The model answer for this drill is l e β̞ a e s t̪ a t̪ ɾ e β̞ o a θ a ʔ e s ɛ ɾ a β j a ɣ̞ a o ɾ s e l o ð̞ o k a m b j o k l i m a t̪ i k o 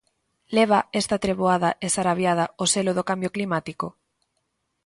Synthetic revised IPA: l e β̞ a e s t̪ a t̪ ɾ e β̞ o a ð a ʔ e s a ɾ a β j a ð̞ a o s e l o ð̞ o k a m b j o k l i m a t̪ i k o